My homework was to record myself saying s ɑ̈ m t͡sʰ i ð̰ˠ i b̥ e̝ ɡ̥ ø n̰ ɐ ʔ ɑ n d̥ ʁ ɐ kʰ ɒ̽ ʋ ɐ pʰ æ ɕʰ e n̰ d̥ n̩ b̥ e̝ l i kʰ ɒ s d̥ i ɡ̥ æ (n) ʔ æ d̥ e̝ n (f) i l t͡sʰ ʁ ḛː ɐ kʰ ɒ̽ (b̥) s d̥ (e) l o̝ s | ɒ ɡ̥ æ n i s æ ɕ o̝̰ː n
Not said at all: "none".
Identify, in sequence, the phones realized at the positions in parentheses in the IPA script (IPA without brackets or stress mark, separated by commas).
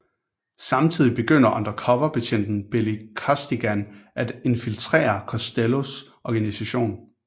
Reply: n, f, none, e